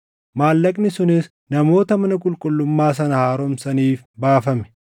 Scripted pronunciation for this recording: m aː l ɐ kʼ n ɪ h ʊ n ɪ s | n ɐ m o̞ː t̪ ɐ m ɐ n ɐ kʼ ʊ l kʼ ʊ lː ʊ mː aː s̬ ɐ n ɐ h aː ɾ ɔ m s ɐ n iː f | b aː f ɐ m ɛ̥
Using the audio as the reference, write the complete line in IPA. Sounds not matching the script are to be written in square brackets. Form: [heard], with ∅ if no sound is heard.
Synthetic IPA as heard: m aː [lː] ɐ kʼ n ɪ [s] ʊ n ɪ s | n ɐ m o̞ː t̪ ɐ m ɐ n ɐ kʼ ʊ l kʼ ʊ lː ʊ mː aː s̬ ɐ n ɐ h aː ɾ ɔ m s ɐ n iː f | b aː f ɐ m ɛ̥